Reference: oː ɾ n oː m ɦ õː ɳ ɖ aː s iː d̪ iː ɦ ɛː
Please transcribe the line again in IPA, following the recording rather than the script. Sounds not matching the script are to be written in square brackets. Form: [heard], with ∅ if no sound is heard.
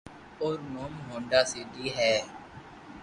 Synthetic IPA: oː ɾ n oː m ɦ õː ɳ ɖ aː s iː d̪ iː ɦ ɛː